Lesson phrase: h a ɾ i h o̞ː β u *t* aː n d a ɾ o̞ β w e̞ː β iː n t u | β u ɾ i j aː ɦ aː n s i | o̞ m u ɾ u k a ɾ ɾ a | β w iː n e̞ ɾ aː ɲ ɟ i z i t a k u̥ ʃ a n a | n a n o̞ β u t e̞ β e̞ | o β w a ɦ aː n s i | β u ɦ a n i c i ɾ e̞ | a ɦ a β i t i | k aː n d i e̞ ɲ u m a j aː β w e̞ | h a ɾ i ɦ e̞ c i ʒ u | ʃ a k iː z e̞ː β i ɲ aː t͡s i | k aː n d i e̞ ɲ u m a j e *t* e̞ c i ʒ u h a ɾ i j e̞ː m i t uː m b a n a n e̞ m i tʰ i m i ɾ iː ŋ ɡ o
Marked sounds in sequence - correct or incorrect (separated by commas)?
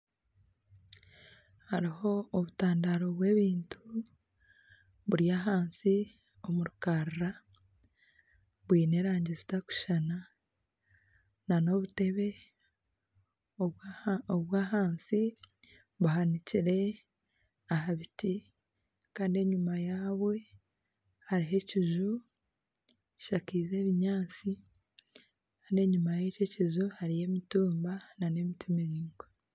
correct, incorrect